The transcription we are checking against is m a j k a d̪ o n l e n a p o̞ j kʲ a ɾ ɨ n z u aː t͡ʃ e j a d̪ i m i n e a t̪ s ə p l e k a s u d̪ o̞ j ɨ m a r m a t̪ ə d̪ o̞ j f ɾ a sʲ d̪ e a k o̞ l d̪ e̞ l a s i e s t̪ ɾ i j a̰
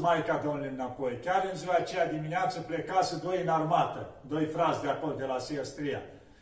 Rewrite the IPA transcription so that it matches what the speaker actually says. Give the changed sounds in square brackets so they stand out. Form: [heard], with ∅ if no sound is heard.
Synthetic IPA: m a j k a d̪ o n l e n a p o̞ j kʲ a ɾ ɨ n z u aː t͡ʃ e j a d̪ i m i n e a t̪ s ə p l e k a s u d̪ o̞ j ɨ [n] a r m a t̪ ə d̪ o̞ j f ɾ a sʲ d̪ e a k o̞ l d̪ e̞ l a s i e s t̪ ɾ i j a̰